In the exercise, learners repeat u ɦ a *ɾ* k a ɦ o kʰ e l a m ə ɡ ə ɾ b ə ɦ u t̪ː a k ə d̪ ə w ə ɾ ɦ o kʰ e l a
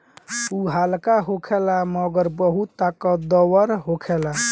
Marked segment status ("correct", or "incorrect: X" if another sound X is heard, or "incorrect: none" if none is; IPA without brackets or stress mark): incorrect: l